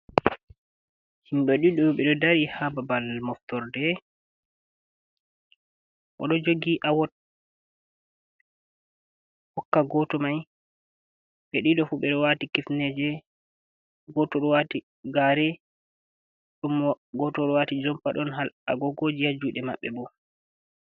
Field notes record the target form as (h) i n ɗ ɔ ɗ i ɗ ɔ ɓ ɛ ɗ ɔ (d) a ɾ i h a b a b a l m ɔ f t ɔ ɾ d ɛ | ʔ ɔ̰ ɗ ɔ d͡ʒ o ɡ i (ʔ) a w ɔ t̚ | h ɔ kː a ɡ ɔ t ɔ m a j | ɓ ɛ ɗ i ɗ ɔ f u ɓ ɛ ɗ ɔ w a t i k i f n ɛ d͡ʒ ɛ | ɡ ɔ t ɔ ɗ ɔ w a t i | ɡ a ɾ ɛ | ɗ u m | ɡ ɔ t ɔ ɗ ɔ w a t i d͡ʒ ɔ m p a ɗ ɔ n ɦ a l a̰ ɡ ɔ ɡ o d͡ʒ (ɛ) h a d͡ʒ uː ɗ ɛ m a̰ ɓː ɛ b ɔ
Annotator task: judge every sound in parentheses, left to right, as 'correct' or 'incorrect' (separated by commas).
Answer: correct, correct, correct, incorrect